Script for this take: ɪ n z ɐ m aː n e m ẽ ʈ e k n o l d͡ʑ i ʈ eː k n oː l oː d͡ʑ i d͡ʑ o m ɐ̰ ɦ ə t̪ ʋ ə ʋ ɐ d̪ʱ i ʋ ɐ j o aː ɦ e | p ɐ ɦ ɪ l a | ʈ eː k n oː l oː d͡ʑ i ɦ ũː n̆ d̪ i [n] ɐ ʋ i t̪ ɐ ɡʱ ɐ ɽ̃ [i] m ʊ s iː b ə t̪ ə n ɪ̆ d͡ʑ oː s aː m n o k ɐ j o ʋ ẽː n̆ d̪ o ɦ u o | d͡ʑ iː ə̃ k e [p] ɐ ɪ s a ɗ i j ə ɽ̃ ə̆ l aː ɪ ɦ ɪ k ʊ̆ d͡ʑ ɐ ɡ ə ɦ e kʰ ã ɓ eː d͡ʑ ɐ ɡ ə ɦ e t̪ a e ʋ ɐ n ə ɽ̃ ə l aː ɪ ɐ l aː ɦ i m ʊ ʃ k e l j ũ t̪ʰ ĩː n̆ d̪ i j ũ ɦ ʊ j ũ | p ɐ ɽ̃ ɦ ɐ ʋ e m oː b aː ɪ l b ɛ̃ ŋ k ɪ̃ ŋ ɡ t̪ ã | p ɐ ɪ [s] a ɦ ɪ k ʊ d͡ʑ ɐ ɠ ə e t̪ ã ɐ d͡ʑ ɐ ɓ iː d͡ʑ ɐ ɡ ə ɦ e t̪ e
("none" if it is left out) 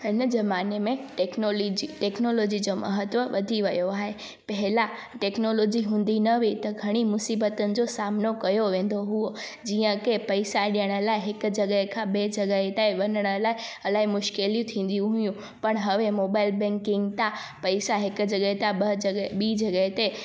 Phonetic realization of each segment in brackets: n, i, p, s

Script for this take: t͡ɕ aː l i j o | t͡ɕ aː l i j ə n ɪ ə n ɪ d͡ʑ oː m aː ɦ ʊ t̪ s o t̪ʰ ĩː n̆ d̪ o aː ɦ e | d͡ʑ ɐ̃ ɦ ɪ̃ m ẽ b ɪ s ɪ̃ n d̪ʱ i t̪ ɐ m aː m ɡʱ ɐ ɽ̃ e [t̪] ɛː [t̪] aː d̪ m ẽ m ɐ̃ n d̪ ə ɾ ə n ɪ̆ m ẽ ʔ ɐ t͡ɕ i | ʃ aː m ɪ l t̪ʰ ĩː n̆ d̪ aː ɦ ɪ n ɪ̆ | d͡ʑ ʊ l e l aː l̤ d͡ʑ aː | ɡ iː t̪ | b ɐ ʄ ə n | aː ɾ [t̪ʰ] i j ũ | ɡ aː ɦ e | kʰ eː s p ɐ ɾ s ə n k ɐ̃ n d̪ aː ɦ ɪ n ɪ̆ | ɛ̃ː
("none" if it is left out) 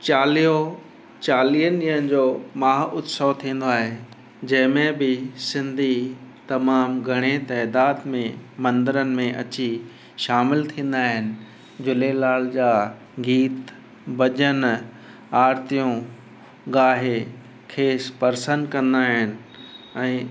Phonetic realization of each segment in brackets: t̪, d̪, t̪

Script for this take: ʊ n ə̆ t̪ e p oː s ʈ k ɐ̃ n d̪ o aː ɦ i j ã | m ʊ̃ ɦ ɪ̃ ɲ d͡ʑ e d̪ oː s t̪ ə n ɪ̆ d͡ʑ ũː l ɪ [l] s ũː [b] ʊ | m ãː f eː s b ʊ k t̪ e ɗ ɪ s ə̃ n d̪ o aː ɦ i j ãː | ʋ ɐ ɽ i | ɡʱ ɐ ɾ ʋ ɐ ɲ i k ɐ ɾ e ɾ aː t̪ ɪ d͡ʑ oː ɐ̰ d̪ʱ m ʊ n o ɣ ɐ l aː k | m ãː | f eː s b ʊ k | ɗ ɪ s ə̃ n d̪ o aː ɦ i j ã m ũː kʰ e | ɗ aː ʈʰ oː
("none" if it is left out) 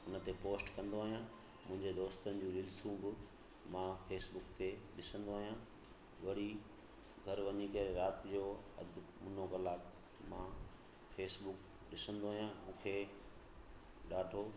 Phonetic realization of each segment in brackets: l, ɡ

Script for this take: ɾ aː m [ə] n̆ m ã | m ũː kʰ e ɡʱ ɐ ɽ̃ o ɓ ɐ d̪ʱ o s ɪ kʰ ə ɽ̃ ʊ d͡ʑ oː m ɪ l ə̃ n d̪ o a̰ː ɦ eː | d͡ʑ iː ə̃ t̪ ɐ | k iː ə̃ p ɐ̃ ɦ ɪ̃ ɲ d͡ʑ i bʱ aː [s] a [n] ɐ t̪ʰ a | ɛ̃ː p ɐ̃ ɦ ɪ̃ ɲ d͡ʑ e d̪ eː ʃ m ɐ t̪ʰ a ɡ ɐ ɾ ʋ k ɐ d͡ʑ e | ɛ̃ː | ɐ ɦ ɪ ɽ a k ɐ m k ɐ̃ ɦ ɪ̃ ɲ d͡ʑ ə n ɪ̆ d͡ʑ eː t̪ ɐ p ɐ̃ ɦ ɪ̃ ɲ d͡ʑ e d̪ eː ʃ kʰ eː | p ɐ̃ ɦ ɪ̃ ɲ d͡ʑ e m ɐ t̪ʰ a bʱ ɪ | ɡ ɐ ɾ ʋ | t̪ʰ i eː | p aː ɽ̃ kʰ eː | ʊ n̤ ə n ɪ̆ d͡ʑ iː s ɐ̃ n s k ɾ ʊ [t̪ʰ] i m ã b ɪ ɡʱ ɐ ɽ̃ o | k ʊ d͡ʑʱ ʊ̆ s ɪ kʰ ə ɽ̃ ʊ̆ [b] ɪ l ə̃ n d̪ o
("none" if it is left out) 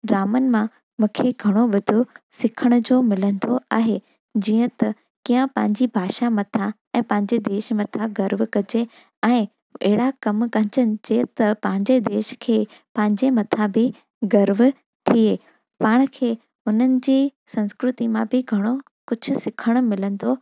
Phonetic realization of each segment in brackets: ə, ʃ, m, t̪, m

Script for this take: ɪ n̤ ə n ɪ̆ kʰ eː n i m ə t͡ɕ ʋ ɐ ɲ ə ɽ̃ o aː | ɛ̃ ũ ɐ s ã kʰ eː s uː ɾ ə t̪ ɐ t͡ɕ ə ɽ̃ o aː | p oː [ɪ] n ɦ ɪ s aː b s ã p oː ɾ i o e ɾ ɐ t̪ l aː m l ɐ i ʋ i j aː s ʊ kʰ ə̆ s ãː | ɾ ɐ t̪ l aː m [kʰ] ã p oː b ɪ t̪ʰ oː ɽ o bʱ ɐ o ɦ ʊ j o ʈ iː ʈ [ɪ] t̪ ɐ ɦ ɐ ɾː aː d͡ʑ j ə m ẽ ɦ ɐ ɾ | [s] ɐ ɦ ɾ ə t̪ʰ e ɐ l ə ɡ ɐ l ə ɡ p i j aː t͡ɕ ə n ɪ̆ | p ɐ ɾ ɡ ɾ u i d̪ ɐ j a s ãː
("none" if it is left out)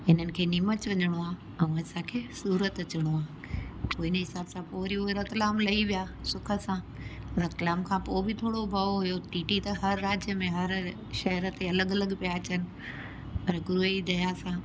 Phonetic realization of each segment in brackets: ɪ, kʰ, i, ʃ

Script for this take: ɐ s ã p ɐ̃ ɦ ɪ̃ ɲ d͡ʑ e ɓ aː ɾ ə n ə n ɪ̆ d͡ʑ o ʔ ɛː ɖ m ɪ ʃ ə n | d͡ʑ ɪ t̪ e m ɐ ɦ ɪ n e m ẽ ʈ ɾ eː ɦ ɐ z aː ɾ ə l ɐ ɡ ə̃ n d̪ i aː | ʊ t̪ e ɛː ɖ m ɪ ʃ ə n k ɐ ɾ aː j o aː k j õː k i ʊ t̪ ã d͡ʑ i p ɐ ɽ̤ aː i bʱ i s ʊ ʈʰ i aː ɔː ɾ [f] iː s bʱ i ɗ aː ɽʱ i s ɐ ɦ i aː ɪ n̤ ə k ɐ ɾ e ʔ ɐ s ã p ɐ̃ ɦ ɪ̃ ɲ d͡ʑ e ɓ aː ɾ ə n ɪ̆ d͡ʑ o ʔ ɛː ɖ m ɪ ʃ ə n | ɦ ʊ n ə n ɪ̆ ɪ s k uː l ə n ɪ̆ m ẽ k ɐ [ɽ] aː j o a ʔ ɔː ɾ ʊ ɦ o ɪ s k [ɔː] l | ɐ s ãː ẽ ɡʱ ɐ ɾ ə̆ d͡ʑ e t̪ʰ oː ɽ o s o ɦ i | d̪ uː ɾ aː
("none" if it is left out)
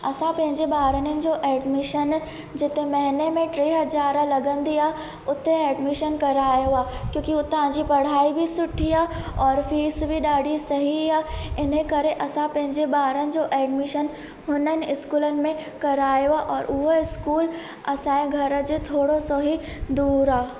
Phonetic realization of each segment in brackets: f, ɾ, uː

